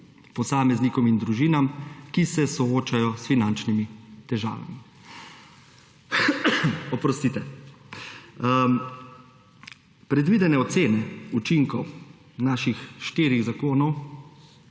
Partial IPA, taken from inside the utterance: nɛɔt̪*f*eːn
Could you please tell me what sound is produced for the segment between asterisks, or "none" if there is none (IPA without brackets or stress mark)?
s